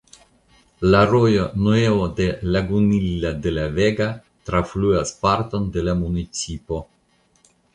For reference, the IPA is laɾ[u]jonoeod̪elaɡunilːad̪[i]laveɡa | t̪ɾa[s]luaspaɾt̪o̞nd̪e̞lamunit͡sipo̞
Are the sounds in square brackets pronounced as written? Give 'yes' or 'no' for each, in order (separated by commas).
no, no, no